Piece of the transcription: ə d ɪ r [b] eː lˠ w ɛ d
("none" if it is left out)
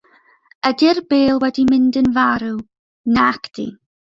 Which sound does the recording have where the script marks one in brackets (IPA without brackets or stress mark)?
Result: b